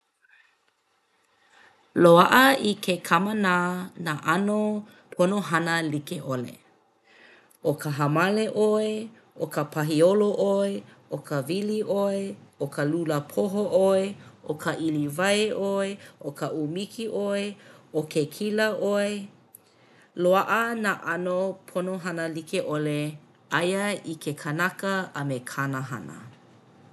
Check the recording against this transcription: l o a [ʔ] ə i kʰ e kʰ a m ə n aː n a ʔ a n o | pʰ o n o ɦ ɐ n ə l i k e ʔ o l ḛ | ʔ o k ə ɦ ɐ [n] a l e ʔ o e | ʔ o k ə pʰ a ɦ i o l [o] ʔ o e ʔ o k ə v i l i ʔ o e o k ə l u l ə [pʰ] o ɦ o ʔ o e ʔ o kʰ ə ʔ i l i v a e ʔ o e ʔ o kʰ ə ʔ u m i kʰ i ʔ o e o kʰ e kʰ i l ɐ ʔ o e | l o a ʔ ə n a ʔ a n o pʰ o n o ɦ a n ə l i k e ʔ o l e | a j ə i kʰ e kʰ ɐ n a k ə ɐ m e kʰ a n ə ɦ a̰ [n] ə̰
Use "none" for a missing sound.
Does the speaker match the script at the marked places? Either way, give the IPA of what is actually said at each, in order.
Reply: ʔ, m, o, pʰ, n

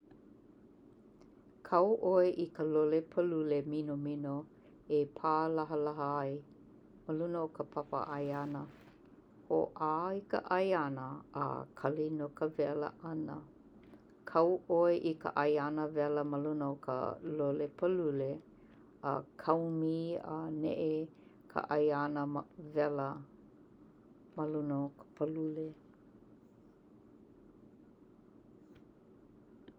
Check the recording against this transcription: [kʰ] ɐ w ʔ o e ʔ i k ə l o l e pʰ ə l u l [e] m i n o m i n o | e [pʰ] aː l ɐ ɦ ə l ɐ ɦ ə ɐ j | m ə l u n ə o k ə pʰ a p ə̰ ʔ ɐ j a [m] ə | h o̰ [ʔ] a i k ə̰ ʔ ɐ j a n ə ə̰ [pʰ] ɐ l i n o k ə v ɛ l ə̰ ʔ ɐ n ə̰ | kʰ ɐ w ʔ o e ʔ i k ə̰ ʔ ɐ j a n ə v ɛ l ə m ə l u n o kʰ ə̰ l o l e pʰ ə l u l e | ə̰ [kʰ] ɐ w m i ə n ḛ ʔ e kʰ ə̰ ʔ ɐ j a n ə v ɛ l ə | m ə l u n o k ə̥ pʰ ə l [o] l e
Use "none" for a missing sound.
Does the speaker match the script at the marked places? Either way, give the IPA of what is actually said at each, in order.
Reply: kʰ, e, pʰ, n, ʔ, kʰ, kʰ, u

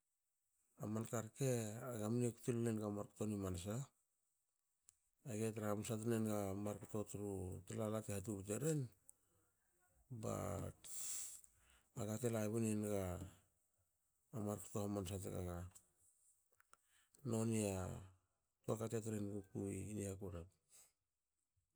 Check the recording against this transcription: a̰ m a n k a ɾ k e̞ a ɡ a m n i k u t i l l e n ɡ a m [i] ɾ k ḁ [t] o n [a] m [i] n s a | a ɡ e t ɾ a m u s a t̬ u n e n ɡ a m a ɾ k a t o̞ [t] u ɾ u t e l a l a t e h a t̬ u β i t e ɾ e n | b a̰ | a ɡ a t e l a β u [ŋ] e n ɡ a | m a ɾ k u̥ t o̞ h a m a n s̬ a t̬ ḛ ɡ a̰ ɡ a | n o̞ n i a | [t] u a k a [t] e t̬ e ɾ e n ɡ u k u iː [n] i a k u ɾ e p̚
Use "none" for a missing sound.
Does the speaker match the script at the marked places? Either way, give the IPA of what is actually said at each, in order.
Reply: a, t, i, a, t, n, t, t, n

